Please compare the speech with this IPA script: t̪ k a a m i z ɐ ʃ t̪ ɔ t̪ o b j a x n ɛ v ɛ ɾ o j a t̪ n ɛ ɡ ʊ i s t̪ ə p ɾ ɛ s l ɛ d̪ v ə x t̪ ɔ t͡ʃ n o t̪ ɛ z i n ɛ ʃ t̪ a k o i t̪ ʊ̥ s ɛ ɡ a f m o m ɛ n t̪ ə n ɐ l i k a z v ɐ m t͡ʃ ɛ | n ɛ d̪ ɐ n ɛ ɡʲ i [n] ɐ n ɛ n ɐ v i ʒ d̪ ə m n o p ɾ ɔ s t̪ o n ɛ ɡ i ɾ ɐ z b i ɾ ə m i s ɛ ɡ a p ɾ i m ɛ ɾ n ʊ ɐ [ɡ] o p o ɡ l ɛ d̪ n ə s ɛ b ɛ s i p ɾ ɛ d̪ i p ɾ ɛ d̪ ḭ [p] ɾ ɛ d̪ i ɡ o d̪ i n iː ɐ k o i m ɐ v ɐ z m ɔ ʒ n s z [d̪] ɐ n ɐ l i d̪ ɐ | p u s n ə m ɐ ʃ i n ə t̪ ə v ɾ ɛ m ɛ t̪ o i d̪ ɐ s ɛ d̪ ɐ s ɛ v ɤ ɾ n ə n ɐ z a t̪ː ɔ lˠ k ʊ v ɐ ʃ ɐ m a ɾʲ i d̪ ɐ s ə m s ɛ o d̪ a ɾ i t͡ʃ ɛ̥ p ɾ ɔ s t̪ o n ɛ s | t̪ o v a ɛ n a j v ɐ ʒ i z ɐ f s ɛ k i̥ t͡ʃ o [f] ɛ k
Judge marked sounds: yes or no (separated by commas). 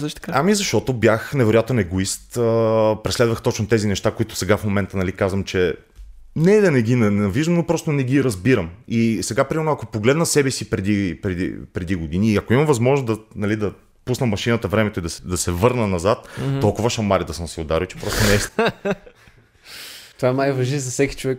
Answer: yes, no, yes, yes, no